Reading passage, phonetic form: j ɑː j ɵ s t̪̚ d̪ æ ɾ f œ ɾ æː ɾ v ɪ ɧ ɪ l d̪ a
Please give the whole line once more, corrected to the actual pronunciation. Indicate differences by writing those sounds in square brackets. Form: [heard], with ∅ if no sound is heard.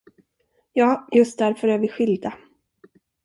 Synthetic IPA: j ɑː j ɵ s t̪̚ d̪ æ ɾ f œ ɾ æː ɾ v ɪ ɧ ɪ l d̪ a